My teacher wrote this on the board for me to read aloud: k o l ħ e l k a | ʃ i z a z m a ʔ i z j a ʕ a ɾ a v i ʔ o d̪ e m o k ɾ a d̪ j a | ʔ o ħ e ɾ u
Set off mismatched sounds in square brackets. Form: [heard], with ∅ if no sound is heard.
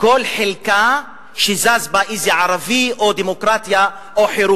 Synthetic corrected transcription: k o l ħ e l k a | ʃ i z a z [b] a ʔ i z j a ʕ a ɾ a v i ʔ o d̪ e m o k ɾ a [t̪] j a | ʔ o ħ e ɾ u